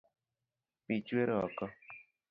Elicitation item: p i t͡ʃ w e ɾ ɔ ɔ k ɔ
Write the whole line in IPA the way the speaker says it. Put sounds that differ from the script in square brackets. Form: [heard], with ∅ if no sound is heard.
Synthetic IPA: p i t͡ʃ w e ɾ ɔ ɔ k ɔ